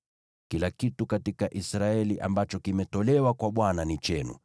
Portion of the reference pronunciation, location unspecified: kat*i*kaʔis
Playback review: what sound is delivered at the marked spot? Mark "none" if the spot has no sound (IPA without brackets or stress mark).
i